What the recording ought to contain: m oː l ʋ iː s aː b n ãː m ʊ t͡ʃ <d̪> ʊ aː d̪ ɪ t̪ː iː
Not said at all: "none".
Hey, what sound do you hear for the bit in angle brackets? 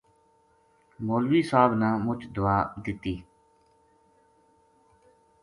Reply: d̪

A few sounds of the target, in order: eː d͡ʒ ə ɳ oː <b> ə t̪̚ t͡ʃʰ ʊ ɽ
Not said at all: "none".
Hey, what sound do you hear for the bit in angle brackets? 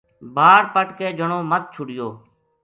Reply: m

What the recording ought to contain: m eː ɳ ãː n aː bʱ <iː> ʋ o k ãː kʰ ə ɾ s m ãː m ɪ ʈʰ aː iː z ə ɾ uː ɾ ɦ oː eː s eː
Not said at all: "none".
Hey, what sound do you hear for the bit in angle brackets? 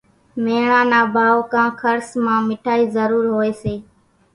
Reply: aː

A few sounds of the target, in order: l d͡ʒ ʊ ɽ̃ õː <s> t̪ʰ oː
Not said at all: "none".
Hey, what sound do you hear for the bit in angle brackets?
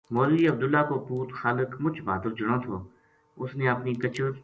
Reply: none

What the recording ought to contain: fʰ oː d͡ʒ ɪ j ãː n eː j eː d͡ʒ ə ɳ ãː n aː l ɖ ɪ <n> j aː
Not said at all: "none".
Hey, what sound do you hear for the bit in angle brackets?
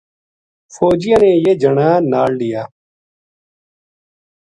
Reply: none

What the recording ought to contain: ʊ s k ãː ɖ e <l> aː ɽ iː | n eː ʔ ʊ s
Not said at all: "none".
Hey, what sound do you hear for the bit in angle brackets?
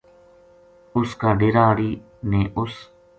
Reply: ɾ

